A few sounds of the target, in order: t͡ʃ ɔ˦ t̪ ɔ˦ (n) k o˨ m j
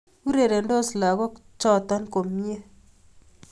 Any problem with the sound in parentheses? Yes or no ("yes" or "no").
no